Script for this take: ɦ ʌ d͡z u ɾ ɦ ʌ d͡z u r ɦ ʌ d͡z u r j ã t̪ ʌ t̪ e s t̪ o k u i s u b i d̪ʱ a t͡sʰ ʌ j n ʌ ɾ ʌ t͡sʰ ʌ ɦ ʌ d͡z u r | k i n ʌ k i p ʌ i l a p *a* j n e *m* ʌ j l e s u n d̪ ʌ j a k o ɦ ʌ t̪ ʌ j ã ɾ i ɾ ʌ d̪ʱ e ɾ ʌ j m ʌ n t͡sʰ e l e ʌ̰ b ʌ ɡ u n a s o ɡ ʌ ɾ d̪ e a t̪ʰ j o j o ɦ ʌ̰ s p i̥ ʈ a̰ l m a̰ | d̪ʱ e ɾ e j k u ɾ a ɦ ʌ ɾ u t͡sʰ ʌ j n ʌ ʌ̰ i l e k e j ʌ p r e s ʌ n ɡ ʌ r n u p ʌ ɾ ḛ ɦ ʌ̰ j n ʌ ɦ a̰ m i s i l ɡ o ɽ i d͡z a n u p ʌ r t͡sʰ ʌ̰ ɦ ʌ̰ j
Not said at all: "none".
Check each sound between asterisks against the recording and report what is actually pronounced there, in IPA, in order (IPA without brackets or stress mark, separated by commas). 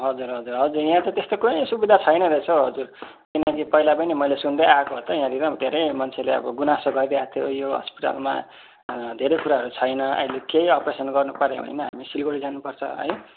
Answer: ʌ, m